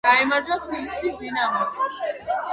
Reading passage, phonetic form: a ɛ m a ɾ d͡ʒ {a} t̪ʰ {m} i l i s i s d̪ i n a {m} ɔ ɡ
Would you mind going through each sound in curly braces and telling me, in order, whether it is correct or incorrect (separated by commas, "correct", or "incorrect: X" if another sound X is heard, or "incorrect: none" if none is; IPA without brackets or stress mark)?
correct, incorrect: b, correct